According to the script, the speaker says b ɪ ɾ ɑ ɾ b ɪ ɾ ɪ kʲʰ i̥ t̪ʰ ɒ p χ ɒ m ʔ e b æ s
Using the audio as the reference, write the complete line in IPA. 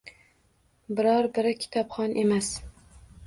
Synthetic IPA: b ɪ ɾ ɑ ɾ b ɪ ɾ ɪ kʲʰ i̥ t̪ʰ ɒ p χ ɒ n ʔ e m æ s